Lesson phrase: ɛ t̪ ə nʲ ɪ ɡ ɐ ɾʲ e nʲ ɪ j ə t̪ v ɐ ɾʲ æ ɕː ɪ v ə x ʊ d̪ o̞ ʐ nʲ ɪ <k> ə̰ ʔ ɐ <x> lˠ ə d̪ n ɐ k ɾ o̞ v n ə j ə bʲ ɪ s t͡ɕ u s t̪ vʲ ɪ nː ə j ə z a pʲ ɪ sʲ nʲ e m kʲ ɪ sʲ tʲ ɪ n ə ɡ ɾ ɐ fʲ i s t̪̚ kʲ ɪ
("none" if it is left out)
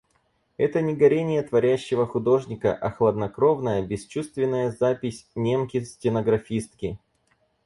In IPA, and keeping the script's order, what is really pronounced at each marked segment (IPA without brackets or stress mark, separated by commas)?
k, x